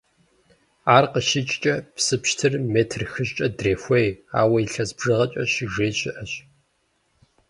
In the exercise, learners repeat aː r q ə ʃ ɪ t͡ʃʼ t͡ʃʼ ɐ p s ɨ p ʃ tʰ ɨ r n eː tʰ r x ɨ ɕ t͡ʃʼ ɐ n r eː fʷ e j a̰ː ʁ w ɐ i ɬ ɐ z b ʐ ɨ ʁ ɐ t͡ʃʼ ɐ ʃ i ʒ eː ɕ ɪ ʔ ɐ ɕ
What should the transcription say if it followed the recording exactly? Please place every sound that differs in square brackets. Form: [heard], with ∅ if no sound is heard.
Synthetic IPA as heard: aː r q ə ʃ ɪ t͡ʃʼ t͡ʃʼ ɐ p s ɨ p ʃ tʰ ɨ r [m] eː tʰ r x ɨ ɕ t͡ʃʼ ɐ [d] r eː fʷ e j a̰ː [∅] w ɐ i ɬ ɐ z b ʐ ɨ ʁ ɐ t͡ʃʼ ɐ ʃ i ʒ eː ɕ ɪ ʔ ɐ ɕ